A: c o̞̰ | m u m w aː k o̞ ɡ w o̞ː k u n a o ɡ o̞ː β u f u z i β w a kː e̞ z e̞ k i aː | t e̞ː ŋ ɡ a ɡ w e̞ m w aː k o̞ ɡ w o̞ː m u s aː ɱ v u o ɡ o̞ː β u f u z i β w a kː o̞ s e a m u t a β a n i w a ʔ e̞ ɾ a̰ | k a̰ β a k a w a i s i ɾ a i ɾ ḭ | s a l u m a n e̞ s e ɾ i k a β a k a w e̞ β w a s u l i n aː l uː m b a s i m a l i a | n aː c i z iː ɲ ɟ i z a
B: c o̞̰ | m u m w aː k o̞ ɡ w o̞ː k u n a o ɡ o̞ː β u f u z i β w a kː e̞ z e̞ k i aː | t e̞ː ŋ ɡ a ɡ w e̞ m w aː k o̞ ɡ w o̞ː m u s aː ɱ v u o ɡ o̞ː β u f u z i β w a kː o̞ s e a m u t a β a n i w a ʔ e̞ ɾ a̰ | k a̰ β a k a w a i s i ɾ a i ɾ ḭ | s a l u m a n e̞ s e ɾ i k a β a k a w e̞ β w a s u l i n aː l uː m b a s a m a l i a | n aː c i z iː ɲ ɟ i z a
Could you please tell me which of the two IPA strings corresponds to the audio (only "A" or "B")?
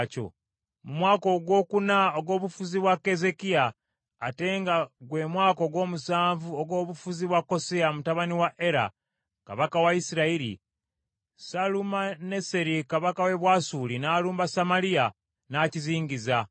B